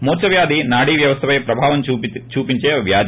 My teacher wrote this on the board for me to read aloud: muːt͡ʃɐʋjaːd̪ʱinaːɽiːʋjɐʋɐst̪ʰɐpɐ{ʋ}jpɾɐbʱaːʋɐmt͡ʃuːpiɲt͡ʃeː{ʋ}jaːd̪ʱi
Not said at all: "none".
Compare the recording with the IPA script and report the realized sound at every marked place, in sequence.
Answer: none, ʋ

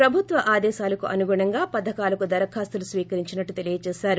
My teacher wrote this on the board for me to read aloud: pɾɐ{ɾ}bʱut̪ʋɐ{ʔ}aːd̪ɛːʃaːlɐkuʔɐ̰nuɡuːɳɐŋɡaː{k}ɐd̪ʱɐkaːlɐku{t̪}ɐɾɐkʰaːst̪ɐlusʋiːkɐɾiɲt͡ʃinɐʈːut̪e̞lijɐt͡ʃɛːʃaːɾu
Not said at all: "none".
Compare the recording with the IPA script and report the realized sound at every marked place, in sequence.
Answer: none, ʔ, p, d̪

